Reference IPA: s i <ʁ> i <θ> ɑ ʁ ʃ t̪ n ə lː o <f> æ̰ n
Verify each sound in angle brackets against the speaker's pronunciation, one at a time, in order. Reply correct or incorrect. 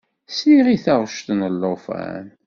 correct, correct, correct

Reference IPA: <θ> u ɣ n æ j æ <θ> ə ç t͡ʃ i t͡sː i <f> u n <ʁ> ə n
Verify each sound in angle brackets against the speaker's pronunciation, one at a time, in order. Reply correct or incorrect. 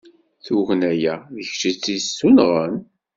correct, incorrect: ð, incorrect: s, correct

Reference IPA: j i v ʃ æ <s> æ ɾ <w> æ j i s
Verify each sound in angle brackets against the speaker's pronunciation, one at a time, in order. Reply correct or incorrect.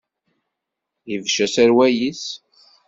correct, correct

